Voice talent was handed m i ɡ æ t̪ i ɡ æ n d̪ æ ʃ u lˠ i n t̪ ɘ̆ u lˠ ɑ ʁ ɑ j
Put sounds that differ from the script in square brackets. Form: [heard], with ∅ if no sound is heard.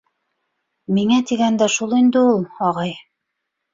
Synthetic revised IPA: m i [ŋ] æ t̪ i ɡ æ n d̪ æ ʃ u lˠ i n [d̪] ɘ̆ u lˠ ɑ ʁ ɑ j

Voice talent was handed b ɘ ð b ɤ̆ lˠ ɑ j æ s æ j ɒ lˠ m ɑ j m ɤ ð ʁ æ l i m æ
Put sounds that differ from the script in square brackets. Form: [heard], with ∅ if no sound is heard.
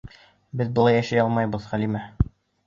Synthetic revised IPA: b ɘ ð b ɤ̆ lˠ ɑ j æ [ʃ] æ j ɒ lˠ m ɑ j [b] ɤ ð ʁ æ l i m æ

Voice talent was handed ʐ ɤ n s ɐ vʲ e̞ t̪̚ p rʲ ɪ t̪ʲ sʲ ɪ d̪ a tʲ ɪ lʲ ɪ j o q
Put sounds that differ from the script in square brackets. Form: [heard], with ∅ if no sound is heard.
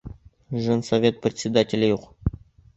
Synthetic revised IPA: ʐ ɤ n s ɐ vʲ e̞ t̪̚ p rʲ ɪ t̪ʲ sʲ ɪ d̪ a tʲ ɪ lʲ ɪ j [u] q

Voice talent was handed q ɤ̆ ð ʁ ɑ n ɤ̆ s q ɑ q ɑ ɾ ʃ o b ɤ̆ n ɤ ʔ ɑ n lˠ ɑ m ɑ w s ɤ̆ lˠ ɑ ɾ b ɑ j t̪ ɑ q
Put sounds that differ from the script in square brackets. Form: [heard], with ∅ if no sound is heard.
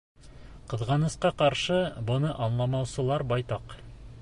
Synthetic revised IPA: q ɤ̆ ð ʁ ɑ n ɤ̆ s q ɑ q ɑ ɾ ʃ [ɤ] b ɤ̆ n ɤ ʔ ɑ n lˠ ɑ m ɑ w s ɤ̆ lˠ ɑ ɾ b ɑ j t̪ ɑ q

